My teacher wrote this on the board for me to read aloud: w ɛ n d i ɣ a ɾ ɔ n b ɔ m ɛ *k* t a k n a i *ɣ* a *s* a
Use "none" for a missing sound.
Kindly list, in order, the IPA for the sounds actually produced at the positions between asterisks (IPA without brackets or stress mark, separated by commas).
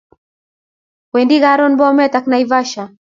none, v, ʃ